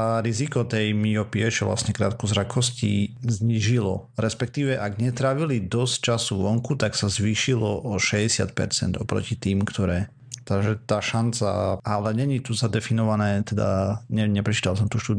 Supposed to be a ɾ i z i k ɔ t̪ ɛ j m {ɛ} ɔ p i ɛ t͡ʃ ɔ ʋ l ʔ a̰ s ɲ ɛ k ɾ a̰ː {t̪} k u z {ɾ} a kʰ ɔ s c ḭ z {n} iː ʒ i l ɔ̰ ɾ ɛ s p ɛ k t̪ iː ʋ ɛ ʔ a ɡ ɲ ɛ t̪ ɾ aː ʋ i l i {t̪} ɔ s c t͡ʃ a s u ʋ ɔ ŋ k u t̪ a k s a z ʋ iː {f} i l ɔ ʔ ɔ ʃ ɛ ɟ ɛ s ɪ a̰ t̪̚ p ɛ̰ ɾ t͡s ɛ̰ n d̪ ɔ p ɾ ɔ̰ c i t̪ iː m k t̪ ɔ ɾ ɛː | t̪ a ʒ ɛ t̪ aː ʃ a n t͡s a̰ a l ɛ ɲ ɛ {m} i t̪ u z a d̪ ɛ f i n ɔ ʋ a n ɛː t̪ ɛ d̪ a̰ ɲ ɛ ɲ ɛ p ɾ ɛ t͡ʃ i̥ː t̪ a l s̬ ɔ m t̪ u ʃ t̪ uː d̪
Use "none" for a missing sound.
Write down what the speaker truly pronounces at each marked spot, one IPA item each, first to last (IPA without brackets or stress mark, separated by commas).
i, t̪, ɾ, ɲ, d̪, ʃ, ɲ